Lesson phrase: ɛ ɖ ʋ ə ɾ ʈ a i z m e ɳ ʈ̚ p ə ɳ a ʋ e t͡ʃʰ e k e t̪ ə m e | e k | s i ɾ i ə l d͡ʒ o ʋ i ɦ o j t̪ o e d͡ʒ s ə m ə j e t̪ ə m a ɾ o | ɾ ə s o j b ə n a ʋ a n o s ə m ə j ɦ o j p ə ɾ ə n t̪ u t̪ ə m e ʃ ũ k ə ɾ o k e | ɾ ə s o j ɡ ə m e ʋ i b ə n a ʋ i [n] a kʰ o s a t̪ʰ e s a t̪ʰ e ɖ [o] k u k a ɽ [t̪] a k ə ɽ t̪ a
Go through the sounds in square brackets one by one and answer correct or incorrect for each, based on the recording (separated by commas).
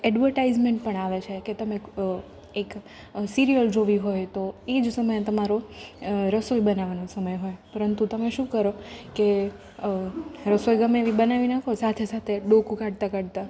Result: correct, correct, correct